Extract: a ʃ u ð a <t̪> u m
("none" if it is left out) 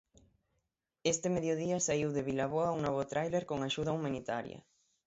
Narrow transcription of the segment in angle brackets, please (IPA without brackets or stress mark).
none